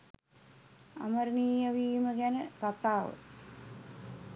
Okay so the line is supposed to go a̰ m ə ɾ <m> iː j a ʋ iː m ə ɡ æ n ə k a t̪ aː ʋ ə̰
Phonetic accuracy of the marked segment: incorrect: n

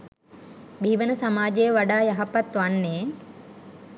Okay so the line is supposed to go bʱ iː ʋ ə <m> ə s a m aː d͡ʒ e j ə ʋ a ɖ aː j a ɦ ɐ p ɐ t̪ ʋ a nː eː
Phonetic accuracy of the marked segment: incorrect: n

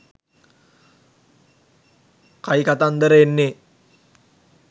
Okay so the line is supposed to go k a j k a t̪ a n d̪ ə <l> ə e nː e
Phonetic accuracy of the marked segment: incorrect: ɾ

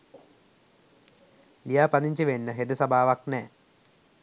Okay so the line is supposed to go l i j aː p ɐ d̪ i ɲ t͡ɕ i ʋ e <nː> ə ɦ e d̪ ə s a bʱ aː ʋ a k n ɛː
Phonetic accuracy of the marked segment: correct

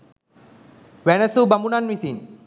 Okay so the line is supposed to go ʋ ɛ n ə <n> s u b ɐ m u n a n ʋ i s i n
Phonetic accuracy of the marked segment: incorrect: none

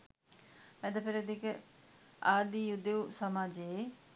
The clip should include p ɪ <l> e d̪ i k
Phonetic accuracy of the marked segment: incorrect: ɾ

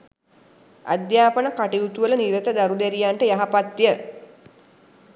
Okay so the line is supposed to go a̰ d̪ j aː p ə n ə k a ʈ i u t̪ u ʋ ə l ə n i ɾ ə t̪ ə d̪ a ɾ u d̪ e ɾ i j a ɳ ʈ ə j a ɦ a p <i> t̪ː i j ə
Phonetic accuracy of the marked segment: incorrect: a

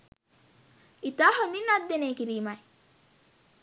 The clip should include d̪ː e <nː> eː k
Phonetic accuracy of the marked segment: incorrect: n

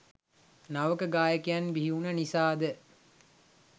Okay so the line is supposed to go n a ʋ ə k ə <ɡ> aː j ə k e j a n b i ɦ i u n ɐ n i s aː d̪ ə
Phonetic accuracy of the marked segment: correct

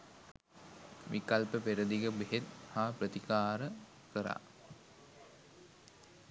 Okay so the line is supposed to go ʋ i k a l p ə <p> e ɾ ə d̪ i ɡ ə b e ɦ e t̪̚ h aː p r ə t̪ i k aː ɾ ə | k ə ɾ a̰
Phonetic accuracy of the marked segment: correct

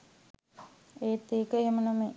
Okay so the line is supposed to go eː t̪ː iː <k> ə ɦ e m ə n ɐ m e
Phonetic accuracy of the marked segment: correct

